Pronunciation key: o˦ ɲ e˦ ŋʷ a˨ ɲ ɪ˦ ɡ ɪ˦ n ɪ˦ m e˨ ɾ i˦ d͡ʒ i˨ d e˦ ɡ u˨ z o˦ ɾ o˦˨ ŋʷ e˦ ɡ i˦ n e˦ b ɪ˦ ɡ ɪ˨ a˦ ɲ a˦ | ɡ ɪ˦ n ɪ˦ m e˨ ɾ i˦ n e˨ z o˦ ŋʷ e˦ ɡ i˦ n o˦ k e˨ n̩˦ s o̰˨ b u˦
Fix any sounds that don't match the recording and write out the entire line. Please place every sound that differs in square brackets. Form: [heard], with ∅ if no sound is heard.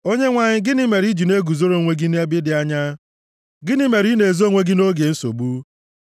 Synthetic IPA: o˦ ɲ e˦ ŋʷ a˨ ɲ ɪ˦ ɡ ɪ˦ n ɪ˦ m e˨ ɾ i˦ d͡ʒ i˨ [n] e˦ ɡ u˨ z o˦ ɾ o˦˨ ŋʷ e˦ ɡ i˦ n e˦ b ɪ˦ [d] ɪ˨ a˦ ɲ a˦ | ɡ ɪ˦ n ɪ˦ m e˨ ɾ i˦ n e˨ z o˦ ŋʷ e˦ ɡ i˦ n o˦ [ɡ] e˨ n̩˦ s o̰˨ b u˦